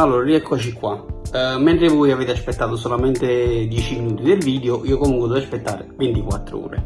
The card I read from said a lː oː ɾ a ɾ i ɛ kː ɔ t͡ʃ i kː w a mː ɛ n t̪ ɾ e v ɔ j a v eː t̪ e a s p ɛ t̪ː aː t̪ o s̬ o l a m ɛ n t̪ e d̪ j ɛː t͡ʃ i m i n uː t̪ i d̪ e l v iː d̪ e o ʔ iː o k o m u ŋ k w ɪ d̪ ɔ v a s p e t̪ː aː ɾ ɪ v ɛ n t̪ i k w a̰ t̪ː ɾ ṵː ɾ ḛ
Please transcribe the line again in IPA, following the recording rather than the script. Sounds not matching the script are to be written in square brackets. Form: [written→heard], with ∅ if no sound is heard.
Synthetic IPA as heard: a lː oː ɾ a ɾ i ɛ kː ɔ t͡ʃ i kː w a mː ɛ n t̪ ɾ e v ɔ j a v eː t̪ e a s p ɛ t̪ː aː t̪ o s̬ o l a m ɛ n t̪ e d̪ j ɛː t͡ʃ i m i n uː t̪ i d̪ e l v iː d̪ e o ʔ iː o k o m u ŋ k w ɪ d̪ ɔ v a s p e t̪ː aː ɾ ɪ v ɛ n t̪ i k w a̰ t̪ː ɾ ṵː ɾ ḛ